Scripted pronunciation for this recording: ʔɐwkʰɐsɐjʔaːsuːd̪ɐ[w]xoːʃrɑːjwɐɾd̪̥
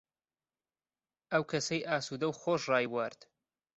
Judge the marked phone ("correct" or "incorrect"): correct